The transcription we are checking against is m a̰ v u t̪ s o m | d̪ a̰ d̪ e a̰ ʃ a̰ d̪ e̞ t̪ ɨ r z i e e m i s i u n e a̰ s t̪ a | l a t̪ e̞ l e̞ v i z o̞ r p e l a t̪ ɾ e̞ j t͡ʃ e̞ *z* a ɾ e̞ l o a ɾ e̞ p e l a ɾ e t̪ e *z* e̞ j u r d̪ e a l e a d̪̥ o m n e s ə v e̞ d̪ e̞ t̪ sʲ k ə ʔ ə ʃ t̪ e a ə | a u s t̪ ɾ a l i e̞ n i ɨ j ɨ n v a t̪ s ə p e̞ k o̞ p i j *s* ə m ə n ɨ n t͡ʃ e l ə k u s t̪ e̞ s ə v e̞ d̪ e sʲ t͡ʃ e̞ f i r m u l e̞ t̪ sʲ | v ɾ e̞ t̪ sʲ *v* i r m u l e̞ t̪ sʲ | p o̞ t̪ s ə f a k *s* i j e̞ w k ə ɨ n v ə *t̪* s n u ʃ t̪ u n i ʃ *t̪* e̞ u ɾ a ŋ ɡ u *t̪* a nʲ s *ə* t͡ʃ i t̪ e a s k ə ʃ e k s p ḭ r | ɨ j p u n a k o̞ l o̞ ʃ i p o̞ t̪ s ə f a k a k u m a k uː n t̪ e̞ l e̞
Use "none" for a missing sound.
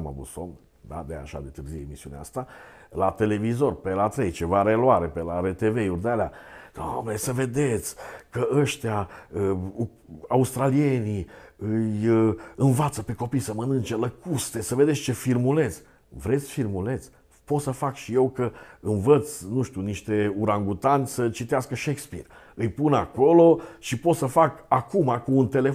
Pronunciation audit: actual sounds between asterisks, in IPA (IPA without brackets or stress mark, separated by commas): v, v, s, f, ʃ, t̪, t̪, t̪, ə